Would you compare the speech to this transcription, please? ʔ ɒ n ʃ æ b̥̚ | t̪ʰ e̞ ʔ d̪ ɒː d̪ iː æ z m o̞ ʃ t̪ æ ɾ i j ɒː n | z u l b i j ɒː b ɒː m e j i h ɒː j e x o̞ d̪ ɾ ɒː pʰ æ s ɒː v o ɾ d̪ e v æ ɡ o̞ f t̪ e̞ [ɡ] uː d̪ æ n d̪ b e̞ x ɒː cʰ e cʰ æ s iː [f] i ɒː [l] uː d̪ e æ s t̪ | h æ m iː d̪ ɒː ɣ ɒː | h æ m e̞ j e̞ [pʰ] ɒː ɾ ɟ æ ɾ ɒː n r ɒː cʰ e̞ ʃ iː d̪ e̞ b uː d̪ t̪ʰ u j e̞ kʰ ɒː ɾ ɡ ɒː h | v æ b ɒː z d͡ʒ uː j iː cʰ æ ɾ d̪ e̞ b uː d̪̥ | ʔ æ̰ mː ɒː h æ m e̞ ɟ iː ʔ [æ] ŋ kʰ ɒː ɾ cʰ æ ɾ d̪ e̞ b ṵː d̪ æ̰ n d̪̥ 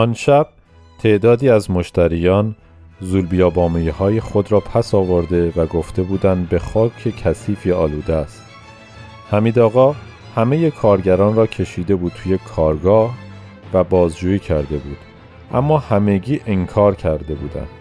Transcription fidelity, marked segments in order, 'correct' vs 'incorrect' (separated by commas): incorrect, correct, correct, incorrect, incorrect